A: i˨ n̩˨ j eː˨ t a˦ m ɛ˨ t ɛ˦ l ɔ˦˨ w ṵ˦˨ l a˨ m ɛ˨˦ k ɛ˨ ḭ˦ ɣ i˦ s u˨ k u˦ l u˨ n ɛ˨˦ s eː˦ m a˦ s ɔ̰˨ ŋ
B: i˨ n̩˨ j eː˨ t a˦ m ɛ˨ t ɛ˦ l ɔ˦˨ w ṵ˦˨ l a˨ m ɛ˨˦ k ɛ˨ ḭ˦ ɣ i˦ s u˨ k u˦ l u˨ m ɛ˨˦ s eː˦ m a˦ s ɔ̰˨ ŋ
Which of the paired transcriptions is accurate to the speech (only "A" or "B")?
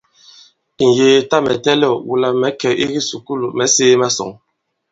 B